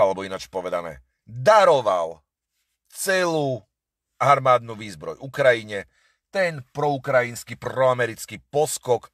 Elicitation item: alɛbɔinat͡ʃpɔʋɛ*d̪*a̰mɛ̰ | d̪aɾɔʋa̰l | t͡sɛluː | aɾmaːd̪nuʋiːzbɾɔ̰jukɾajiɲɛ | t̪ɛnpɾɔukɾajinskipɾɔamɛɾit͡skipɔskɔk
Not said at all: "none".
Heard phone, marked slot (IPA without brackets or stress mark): d̪